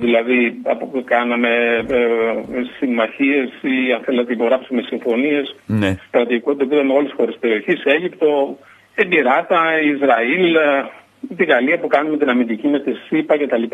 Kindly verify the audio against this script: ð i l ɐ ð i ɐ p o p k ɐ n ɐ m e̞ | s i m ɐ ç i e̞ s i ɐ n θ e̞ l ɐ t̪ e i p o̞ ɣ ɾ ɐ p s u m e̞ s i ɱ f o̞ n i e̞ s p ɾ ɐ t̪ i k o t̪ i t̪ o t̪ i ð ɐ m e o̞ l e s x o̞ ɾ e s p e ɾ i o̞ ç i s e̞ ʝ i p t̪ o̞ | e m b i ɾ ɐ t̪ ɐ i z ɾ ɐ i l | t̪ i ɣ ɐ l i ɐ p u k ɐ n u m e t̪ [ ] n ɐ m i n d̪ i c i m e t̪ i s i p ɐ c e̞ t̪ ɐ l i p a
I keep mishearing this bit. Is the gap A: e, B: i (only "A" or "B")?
B